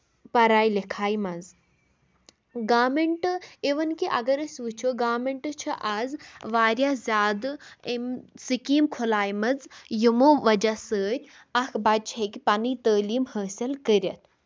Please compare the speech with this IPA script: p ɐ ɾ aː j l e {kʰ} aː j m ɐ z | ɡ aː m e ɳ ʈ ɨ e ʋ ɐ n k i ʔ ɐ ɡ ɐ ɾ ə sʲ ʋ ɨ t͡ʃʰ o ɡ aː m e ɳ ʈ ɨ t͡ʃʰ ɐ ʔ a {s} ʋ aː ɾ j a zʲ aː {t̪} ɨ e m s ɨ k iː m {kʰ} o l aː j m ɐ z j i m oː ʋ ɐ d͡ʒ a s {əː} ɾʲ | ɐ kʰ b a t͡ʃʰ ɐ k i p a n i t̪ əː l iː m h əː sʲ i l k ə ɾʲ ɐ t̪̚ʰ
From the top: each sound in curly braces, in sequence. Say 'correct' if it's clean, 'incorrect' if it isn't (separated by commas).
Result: correct, incorrect, incorrect, correct, correct